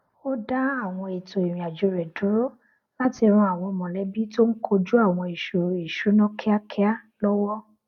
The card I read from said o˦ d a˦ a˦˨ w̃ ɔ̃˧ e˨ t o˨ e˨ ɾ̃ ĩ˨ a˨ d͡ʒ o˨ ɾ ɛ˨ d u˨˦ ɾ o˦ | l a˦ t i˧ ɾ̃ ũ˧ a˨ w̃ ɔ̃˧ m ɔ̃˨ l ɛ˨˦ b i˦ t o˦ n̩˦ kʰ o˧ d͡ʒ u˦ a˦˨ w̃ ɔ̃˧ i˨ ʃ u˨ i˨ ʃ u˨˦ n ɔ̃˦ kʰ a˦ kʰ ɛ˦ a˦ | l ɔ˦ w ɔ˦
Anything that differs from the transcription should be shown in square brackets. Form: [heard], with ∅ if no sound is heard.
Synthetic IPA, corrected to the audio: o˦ d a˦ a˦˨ w̃ ɔ̃˧ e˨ t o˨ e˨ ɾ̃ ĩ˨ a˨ d͡ʒ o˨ ɾ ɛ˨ d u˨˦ ɾ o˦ | l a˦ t i˧ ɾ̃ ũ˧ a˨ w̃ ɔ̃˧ m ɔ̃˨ l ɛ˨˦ b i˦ t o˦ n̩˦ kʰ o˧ d͡ʒ u˦ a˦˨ w̃ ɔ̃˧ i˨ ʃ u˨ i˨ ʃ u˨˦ n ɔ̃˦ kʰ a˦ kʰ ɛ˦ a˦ | l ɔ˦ w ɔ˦

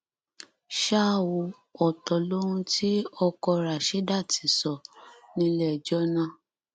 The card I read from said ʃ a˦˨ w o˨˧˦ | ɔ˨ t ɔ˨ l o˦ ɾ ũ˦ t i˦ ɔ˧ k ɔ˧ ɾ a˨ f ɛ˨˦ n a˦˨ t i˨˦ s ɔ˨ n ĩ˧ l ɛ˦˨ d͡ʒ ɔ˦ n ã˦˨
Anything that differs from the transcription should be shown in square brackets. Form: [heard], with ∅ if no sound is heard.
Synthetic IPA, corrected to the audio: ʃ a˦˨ w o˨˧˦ | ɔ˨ t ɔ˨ l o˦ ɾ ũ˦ t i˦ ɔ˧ k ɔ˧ ɾ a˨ [ʃ] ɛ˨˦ [d] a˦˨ t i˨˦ s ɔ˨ n ĩ˧ l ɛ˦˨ d͡ʒ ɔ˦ n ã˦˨

